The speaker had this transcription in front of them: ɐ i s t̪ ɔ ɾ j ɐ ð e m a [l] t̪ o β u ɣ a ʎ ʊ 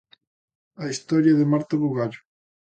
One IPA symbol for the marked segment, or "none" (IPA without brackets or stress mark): ɾ